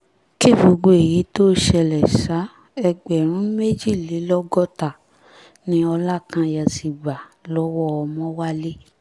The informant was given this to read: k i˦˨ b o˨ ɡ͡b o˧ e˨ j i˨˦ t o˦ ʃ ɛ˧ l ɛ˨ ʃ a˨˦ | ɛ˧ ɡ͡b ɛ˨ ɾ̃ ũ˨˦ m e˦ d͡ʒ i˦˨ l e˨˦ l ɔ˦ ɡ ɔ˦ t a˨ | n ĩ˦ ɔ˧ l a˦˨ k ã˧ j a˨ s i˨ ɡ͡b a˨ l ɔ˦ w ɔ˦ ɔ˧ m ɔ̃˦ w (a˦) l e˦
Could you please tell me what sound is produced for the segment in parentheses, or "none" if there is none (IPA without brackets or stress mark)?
a˦